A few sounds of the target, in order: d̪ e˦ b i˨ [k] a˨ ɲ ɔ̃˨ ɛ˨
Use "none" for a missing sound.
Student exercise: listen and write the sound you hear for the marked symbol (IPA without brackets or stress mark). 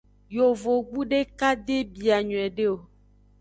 none